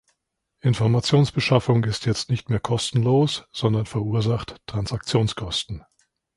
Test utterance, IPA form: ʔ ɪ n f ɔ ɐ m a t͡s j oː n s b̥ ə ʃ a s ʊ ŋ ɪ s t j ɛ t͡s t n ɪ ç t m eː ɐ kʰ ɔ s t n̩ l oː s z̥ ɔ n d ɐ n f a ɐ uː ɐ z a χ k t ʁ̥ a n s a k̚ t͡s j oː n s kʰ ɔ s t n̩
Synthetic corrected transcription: ʔ ɪ n f ɔ ɐ m a t͡s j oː n s b̥ ə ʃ a f ʊ ŋ ɪ s t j ɛ t͡s t n ɪ ç t m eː ɐ kʰ ɔ s t n̩ l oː s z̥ ɔ n d ɐ n f ɛ ɐ uː ɐ z a χ t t ʁ̥ a n s a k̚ t͡s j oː n s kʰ ɔ s t n̩